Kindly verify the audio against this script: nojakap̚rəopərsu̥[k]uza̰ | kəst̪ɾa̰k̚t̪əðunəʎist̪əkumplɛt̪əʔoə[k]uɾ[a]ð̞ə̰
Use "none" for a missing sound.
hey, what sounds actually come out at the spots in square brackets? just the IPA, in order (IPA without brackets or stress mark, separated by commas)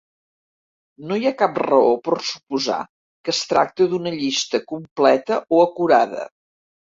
p, k, a